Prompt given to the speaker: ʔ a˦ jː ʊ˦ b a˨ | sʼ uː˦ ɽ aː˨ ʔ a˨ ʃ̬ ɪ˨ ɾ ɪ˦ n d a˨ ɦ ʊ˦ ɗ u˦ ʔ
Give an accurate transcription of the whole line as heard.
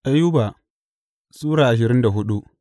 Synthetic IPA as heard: ʔ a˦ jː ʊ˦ b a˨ | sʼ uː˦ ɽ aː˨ ʔ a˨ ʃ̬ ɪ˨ ɾ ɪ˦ n d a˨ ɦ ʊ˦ ɗ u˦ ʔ